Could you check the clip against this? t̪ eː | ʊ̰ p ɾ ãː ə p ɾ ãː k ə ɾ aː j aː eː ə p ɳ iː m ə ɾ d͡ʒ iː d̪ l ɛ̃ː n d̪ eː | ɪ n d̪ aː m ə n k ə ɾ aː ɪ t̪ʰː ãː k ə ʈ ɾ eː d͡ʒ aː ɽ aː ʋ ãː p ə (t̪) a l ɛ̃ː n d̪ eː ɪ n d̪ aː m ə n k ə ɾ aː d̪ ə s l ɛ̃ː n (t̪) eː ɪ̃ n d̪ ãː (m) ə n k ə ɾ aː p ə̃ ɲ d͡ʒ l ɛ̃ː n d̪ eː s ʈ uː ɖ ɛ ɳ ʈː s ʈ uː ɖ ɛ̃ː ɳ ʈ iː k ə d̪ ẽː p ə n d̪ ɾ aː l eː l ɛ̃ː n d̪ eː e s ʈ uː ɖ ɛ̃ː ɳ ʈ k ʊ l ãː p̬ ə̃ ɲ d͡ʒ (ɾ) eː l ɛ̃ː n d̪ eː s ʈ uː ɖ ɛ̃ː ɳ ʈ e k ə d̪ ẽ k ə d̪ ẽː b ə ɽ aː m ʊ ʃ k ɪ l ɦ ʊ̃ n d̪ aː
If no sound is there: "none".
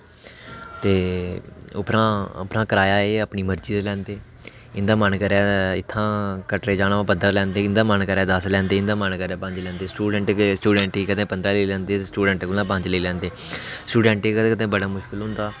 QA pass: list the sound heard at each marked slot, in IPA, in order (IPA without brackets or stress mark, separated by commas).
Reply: d̪, d̪, m, l